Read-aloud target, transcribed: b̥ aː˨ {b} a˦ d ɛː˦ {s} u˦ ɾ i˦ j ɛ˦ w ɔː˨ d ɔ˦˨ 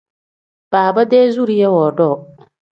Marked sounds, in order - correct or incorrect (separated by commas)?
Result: correct, incorrect